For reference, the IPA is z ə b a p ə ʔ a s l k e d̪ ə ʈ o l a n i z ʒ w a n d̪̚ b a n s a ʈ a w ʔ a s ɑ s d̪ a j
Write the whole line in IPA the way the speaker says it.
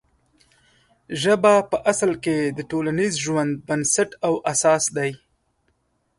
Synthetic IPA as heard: ʒ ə b a p ə ʔ a s l k e d̪ ə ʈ o l a n i z ʒ w a n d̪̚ b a n s a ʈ a w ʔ a s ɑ s d̪ a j

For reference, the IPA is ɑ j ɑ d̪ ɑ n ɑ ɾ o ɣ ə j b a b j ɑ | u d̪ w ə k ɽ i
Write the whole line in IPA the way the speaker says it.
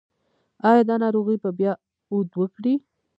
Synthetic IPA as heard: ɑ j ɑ d̪ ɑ n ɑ ɾ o ɣ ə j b a b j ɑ | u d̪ w ə k ɽ i

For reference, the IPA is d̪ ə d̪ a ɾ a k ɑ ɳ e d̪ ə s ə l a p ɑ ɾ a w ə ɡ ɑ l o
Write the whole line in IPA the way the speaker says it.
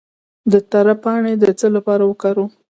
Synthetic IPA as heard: d̪ ə t̪ a ɾ a p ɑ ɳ e d̪ ə t͡s ə l a p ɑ ɾ a w ə k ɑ ɾ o

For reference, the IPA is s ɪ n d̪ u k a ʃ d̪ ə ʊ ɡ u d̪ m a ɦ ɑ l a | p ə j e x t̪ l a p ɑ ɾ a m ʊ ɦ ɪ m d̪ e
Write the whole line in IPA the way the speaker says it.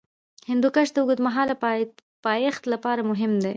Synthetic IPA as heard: h ɪ n d̪ u k a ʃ d̪ ə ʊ ɡ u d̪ m a ɦ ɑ l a | p ɑ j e x t̪ l a p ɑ ɾ a m ʊ ɦ ɪ m d̪ e

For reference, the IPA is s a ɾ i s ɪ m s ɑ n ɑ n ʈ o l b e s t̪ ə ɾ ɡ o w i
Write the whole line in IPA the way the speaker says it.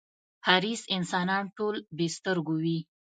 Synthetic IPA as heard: h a ɾ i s ɪ n s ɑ n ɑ n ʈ o l b e s t̪ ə ɾ ɡ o w i

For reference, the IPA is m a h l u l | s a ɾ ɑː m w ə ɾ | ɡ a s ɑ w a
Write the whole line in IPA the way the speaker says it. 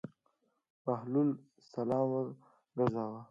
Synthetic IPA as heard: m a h l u l | s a l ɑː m w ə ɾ | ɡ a z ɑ w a

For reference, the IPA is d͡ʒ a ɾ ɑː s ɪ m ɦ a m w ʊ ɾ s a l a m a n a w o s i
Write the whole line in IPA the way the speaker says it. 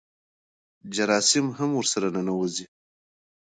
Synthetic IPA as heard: d͡ʒ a ɾ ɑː s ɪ m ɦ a m w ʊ ɾ s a ɾ a n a n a w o z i

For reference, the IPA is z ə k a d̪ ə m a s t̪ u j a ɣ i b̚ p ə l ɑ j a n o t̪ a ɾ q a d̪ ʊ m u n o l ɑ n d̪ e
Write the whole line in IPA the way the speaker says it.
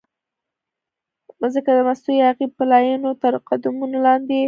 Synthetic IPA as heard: z ə k a d̪ ə m a s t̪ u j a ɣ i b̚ p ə l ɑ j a n o t̪ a ɾ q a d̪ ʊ m u n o l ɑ n d̪ e

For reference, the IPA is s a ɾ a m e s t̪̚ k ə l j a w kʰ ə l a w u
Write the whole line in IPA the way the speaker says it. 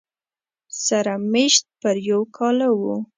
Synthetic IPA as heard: s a ɾ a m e ʃ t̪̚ p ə ɾ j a w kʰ ɑ l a w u

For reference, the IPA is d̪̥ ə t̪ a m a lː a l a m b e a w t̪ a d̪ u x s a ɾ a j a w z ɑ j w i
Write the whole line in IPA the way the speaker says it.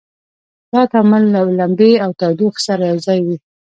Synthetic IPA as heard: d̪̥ ɑ t̪ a m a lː a l a m b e a w t̪ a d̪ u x s a ɾ a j a w z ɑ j w i

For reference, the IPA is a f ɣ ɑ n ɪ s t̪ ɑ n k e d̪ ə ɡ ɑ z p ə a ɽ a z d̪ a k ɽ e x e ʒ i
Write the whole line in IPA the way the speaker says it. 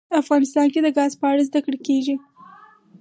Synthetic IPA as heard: a f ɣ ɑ n ɪ s t̪ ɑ n k e d̪ ə ɡ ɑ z p ə a ɽ a z d̪ a k ɽ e k e ʒ i

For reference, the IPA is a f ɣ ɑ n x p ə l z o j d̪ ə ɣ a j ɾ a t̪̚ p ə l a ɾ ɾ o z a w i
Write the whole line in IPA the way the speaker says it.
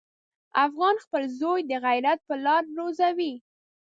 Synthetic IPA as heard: a f ɣ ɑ n x p ə l z o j d̪ ə ɣ a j ɾ a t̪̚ p ə l ɑ ɾ ɾ o z a w i

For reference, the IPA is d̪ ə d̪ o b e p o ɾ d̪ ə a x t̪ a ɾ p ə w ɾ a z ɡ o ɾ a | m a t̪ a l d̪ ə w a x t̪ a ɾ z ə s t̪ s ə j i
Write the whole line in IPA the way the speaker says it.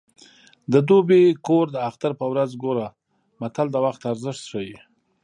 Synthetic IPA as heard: d̪ ə d̪ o b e k o ɾ d̪ ə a x t̪ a ɾ p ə w ɾ a z ɡ o ɾ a | m a t̪ a l d̪ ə w a x t̪ a ɾ z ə ʂ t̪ ʂ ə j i

